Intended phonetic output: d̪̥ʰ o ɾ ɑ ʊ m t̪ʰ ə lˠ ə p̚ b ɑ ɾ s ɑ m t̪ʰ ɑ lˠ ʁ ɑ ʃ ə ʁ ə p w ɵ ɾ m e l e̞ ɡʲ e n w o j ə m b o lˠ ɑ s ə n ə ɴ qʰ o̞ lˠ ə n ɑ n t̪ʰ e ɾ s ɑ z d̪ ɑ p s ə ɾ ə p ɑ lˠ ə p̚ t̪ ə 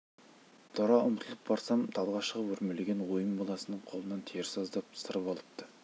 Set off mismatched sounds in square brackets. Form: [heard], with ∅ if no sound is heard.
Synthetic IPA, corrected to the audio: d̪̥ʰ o ɾ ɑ ʊ m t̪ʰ ə lˠ ə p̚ b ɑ ɾ s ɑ m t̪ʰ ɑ lˠ ʁ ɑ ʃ ə ʁ ə p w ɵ ɾ m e l e̞ ɡʲ e n w o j ə m b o lˠ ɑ s ə n ə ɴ qʰ o̞ lˠ ə n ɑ n t̪ʰ e ɾ s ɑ z d̪ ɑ p s ə ɾ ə p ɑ lˠ ə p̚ t̪ ə